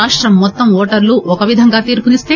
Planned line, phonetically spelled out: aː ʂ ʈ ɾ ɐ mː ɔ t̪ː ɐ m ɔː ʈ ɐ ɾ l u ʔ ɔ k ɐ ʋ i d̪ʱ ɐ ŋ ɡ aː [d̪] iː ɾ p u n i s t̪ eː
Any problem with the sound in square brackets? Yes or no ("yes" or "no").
yes